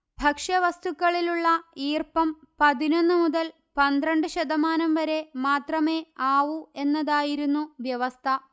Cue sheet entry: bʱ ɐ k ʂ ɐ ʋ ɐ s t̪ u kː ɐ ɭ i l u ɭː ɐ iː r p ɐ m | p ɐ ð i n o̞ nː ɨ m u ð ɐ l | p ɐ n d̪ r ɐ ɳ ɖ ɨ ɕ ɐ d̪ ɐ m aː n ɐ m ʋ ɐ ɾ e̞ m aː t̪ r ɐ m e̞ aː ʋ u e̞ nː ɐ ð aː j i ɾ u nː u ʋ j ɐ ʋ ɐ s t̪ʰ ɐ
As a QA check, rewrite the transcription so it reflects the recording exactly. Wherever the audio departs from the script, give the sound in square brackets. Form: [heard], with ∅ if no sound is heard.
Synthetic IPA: bʱ ɐ k ʂ ɐ ʋ ɐ s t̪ u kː ɐ ɭ i l u ɭː ɐ iː r p ɐ m | p ɐ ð i n o̞ nː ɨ m u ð ɐ l | p ɐ n d̪ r ɐ ɳ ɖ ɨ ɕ ɐ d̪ ɐ m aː n ɐ m ʋ ɐ ɾ e̞ m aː t̪ r ɐ m e̞ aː ʋ u e̞ nː ɐ ð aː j i ɾ u nː u ʋ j ɐ ʋ ɐ s t̪ʰ ɐ